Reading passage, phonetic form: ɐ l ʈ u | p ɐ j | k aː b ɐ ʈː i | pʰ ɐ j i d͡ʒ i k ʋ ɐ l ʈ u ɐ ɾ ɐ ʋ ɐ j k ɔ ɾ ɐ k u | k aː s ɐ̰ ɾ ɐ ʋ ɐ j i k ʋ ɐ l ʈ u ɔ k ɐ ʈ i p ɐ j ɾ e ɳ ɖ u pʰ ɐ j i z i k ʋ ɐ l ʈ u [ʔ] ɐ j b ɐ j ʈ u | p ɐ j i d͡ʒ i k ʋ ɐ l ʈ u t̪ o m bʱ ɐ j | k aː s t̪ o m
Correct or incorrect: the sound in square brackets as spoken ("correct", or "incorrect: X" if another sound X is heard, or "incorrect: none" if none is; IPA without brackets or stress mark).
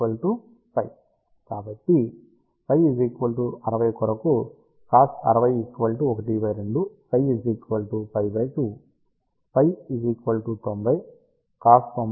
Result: incorrect: p